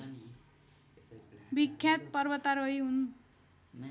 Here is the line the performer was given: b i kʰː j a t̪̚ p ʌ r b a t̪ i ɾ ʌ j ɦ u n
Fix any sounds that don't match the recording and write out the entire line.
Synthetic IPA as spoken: b i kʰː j a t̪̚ p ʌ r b ʌ t̪ a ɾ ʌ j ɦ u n

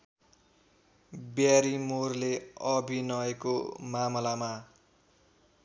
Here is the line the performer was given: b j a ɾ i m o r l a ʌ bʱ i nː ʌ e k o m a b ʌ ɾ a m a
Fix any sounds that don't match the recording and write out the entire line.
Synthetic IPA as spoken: b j a ɾ i m o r l e ʌ bʱ i n ʌ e k o m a m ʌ l a m a

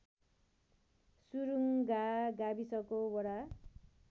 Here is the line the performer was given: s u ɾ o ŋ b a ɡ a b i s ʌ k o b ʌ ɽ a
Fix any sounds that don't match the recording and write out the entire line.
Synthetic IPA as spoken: s u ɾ u ŋ ɡ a ɡ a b i s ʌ k o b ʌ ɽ a

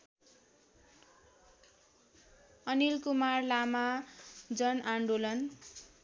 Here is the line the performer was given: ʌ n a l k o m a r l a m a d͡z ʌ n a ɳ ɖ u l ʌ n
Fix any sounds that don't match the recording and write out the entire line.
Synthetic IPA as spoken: ʌ n i l k u m a r l a m a d͡z ʌ n a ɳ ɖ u l ʌ n

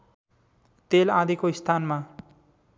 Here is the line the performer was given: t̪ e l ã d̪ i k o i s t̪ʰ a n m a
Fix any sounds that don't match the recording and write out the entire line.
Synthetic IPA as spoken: t̪ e l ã d̪ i k o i s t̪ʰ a n m a

